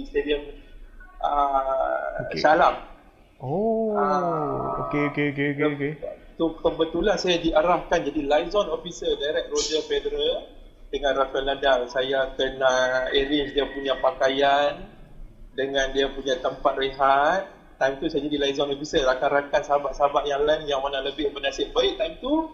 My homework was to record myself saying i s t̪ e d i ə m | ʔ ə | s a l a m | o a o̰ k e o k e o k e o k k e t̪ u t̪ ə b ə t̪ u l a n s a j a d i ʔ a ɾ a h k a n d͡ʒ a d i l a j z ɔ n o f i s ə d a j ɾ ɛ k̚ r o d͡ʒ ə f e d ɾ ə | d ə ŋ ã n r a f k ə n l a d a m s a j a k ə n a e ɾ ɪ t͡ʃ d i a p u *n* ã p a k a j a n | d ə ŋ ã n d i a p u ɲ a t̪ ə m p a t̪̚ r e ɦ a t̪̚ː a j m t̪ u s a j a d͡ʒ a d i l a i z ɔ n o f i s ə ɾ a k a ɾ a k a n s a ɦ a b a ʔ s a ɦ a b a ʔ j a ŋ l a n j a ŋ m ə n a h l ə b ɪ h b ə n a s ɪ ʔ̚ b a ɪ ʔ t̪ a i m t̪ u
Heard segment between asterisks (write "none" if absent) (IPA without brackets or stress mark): ɲ